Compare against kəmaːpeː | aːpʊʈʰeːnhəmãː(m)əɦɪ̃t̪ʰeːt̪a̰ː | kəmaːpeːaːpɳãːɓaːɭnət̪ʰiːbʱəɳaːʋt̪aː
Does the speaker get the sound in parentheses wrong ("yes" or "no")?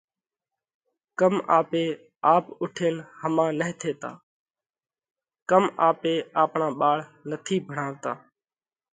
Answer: yes